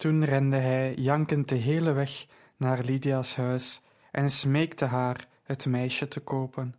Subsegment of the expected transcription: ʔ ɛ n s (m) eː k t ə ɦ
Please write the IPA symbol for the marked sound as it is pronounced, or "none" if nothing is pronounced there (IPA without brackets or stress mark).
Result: m